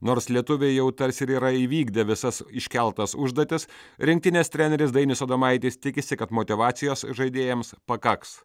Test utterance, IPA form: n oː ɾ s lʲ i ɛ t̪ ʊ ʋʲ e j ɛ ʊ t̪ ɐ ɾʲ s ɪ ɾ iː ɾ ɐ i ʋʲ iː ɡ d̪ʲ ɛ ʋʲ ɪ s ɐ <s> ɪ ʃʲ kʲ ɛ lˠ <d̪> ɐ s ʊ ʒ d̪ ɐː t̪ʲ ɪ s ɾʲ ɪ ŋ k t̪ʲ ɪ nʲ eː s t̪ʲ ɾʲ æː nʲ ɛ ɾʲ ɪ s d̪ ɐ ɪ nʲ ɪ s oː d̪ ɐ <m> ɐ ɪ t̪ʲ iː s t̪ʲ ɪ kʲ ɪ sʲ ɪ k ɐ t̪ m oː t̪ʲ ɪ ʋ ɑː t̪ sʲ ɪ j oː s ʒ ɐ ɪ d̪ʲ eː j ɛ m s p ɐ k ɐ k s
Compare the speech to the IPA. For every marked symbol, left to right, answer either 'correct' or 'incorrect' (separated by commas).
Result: correct, incorrect, correct